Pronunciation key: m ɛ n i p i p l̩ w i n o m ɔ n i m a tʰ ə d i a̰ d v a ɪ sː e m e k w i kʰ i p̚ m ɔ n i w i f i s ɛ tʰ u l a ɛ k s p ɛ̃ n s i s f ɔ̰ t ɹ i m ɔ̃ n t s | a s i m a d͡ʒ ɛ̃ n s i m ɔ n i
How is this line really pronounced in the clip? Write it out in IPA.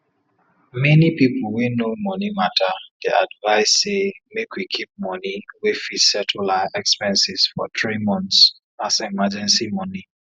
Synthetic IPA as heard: m ɛ n i p i p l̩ w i n o m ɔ n i m a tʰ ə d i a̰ d v a ɪ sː e m e k w i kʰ i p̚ m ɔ n i w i f i s ɛ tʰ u l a ɛ k s p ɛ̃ n s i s f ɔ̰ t ɹ i m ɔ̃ n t s | a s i m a d͡ʒ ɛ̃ n s i m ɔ n i